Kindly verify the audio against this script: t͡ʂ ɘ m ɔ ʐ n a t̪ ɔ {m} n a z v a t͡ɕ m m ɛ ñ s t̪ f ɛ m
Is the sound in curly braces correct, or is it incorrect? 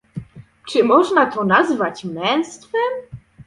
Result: incorrect